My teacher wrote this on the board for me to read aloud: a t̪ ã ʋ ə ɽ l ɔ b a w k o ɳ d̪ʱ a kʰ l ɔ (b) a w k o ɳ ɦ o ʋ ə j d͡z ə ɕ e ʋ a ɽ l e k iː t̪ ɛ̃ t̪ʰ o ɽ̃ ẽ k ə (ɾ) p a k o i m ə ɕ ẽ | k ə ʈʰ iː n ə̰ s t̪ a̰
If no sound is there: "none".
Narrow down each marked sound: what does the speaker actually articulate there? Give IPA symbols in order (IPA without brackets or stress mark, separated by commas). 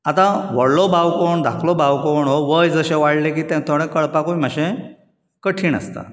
b, ɭ